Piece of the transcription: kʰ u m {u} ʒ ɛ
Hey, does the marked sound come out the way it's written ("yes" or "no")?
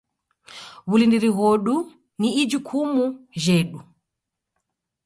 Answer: yes